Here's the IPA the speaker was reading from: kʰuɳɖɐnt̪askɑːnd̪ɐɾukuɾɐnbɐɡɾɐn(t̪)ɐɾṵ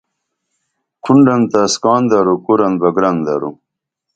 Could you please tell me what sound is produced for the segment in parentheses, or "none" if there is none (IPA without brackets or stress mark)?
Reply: d̪